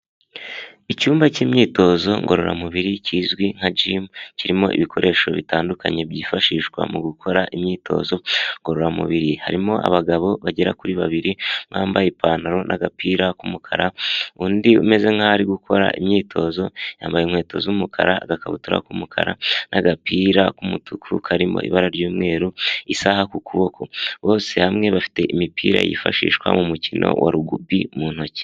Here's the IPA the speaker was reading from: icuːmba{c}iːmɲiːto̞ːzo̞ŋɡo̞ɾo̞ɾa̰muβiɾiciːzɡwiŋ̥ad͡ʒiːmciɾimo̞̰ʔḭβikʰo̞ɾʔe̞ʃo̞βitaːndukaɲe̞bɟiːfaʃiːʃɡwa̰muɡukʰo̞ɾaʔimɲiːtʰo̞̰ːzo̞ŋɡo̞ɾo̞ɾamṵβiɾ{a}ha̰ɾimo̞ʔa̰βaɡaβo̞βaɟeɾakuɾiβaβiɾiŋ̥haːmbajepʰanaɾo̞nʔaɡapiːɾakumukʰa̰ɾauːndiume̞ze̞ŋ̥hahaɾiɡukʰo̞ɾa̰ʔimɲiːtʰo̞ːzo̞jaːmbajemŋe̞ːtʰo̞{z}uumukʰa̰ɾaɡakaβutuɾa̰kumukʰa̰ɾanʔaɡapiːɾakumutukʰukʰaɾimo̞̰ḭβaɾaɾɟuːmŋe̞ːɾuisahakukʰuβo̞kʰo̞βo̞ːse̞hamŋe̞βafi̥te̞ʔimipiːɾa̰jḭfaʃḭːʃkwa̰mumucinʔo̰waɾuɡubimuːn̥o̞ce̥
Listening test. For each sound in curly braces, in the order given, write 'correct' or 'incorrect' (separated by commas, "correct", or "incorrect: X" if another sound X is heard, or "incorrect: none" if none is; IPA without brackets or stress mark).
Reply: correct, incorrect: i, correct